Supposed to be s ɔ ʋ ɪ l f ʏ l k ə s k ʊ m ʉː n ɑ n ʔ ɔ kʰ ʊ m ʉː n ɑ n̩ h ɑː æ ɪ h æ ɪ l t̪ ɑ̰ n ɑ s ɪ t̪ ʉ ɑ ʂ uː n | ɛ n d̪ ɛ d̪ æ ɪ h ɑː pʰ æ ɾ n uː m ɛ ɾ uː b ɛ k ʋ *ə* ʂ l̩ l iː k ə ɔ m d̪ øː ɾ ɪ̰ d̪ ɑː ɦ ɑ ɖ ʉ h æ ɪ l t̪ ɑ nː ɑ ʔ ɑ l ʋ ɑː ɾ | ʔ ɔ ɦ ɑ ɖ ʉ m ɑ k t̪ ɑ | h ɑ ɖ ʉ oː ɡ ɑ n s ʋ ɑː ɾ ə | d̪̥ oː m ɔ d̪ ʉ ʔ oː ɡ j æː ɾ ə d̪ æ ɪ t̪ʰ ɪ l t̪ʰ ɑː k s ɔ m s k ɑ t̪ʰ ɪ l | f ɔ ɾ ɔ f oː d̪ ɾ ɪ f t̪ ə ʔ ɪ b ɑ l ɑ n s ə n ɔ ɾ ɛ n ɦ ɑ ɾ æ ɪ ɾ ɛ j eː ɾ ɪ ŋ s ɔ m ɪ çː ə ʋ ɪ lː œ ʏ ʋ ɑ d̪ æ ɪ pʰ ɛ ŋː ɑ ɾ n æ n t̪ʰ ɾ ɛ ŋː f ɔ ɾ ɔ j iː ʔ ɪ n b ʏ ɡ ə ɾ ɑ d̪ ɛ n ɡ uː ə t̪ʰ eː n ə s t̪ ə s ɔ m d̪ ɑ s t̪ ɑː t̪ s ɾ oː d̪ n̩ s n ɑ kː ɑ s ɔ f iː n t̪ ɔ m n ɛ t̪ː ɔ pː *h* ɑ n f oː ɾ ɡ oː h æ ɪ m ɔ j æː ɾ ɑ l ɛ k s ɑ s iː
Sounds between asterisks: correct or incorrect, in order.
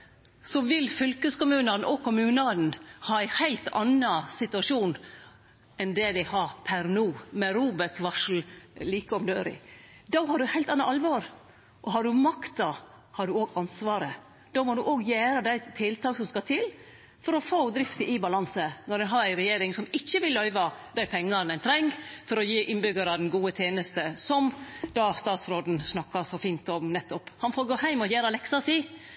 incorrect: ɑ, correct

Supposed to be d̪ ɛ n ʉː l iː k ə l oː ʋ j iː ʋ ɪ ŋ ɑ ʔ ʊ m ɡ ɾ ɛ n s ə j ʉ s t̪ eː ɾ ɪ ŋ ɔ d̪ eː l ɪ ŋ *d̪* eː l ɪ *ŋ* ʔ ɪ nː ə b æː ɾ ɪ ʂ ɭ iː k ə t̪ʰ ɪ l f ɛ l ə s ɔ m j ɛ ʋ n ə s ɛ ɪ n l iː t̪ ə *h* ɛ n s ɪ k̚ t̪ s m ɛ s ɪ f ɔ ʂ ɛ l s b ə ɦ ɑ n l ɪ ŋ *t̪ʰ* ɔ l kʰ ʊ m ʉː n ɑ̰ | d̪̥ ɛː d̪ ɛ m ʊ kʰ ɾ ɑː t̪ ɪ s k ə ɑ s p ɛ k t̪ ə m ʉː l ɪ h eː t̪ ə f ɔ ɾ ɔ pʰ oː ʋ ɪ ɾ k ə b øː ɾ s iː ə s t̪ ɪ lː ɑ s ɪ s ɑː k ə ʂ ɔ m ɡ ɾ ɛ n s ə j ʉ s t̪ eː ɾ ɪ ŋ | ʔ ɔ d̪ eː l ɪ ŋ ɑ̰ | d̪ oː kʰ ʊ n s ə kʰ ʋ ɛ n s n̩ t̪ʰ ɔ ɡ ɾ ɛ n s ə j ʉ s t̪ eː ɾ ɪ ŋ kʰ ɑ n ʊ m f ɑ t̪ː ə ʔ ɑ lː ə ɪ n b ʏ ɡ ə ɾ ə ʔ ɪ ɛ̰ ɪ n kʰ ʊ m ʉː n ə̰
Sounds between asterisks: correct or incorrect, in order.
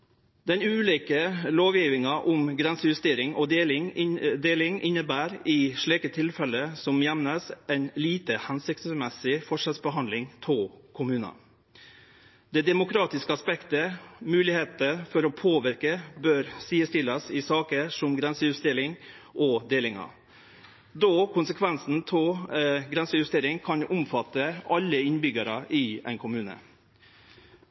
correct, correct, correct, correct

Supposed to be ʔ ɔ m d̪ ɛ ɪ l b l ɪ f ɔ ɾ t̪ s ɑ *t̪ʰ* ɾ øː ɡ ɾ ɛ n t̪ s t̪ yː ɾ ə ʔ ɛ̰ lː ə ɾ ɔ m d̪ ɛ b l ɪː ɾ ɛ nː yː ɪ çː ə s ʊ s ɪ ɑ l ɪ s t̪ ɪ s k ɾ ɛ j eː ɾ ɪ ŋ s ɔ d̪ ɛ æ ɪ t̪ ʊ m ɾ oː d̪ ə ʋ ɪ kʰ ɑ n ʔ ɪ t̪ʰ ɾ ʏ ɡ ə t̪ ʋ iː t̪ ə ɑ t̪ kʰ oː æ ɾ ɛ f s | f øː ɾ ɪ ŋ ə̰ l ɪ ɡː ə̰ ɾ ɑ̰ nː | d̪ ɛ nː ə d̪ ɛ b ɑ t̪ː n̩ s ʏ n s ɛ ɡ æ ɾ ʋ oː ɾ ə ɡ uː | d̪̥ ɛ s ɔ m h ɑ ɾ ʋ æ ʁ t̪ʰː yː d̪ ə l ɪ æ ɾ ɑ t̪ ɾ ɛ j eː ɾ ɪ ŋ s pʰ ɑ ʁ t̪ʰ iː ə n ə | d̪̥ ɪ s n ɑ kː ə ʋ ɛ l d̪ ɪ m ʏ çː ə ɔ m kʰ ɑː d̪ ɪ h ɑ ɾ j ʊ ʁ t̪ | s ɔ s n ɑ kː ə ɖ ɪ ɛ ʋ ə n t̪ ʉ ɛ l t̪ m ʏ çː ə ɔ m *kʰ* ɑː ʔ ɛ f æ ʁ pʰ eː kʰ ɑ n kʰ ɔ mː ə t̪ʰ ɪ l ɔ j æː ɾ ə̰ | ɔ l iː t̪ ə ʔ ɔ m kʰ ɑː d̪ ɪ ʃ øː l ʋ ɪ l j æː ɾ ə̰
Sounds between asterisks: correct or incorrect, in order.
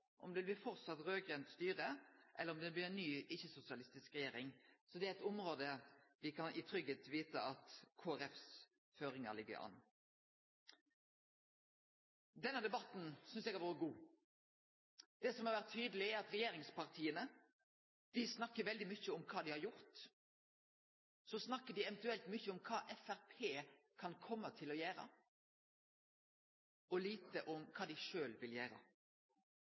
incorrect: t̪, correct

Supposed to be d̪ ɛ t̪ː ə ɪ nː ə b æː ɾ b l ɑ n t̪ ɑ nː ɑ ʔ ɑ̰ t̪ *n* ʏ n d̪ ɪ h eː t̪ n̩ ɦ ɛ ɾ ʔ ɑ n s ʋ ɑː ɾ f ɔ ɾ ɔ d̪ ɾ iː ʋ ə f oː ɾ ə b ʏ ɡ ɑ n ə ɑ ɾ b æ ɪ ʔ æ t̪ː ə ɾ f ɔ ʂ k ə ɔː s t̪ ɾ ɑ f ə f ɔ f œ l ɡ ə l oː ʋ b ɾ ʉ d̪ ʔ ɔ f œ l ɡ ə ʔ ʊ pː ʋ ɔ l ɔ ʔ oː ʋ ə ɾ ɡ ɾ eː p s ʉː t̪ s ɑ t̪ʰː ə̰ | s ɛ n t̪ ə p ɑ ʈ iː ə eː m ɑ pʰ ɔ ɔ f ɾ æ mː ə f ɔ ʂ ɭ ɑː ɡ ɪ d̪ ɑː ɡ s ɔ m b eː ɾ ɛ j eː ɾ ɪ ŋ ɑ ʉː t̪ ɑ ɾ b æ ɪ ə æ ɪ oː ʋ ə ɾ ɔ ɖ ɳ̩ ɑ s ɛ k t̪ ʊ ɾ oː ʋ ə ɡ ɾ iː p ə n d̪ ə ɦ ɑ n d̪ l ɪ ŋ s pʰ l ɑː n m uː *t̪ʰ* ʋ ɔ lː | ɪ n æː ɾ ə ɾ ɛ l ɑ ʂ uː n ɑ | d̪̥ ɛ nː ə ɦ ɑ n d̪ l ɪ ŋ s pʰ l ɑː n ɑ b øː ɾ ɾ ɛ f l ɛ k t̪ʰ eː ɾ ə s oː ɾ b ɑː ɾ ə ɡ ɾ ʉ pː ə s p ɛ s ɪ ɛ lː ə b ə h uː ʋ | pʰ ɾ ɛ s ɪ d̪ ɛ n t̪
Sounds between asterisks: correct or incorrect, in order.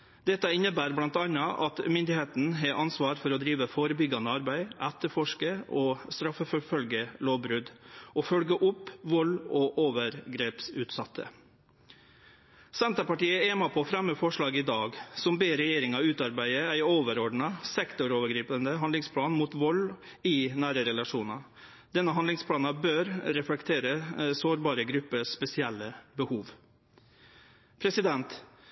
incorrect: m, incorrect: t̪

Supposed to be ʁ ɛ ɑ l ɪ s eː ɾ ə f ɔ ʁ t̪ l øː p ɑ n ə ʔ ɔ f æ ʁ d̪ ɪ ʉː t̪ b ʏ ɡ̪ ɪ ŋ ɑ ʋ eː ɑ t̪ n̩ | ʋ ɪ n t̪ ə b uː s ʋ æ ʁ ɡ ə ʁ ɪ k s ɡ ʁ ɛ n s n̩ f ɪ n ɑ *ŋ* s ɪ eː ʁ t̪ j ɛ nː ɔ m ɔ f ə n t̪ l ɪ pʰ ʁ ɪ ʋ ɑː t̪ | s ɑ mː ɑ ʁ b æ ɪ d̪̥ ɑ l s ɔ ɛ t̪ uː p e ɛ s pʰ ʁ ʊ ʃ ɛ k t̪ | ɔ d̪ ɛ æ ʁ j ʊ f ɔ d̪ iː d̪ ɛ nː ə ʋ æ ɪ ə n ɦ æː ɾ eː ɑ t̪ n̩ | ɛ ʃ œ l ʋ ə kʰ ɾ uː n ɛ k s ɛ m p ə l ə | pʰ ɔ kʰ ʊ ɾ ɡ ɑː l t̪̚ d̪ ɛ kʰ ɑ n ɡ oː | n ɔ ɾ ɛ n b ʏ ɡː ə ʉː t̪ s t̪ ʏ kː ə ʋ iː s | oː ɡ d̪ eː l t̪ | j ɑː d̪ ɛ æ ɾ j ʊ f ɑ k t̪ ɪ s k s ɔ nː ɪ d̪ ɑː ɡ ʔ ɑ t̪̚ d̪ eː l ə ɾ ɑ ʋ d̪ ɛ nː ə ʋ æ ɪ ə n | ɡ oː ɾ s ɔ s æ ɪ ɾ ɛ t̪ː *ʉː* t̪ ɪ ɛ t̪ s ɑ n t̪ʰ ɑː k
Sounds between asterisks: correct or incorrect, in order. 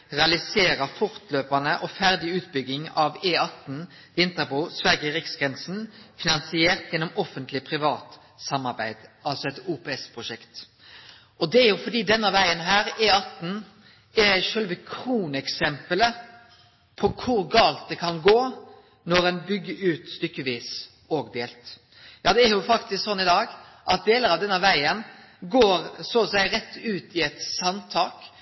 incorrect: n, correct

